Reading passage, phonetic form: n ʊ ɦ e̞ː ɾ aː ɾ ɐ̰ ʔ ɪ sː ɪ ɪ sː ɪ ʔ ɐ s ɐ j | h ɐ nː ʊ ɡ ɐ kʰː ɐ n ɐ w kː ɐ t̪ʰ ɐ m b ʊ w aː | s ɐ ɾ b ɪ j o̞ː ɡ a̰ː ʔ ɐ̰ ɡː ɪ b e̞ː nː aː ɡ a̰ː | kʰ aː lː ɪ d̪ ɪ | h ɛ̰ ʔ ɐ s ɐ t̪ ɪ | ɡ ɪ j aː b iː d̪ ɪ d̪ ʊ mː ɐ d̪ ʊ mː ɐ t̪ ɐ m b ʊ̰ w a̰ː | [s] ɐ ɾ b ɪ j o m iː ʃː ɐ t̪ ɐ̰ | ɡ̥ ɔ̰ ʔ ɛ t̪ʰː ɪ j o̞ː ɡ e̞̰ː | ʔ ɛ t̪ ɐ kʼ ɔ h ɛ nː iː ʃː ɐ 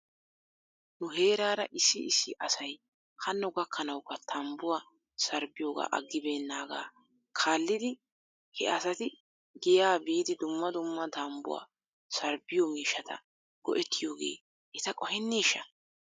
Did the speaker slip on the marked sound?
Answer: no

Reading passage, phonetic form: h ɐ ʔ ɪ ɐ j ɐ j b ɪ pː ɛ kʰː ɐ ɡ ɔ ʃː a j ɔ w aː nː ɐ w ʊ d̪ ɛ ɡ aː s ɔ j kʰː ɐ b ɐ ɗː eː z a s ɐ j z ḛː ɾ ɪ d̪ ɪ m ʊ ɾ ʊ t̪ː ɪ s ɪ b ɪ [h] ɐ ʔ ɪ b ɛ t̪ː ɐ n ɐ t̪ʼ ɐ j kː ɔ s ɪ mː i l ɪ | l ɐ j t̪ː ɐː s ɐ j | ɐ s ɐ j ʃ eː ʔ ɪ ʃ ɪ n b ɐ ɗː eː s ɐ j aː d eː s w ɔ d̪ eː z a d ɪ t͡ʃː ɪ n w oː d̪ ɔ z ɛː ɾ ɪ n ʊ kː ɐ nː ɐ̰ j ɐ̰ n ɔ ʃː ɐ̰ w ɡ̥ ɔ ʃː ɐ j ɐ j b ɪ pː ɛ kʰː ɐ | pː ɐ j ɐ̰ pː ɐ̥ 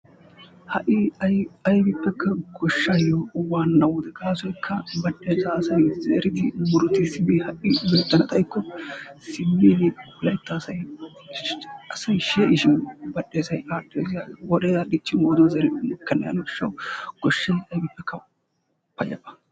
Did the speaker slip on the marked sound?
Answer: no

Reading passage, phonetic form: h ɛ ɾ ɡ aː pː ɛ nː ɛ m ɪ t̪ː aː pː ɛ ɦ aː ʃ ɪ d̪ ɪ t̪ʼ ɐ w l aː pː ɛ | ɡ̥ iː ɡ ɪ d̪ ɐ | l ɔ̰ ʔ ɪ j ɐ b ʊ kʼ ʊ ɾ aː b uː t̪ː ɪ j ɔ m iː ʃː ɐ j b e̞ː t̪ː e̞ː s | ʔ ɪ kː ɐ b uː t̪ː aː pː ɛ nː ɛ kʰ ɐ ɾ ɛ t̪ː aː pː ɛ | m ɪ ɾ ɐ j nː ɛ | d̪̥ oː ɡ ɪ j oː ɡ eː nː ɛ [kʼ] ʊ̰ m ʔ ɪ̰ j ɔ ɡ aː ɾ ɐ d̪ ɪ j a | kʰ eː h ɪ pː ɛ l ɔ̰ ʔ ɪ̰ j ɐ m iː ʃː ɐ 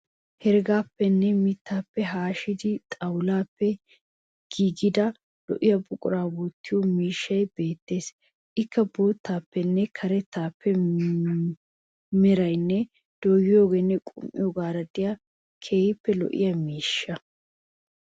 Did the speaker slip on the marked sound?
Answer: no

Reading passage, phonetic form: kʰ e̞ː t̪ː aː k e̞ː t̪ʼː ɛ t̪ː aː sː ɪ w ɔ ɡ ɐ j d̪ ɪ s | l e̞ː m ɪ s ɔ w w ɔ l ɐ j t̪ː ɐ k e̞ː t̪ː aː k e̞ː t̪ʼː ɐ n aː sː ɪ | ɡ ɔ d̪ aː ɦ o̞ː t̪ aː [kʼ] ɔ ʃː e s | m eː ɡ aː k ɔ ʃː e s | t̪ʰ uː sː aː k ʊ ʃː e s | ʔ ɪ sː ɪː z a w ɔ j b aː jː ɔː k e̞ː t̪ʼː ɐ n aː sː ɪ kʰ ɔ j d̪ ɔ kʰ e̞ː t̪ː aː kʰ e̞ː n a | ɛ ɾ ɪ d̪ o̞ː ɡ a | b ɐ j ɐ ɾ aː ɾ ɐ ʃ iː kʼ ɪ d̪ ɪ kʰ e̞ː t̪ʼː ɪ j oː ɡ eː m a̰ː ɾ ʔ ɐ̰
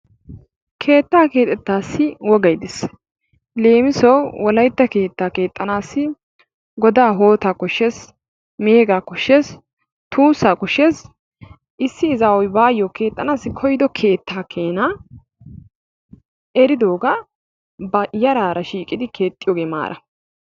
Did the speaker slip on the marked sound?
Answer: yes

